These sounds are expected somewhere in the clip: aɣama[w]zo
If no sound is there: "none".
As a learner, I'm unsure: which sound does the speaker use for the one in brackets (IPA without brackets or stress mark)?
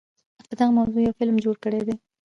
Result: w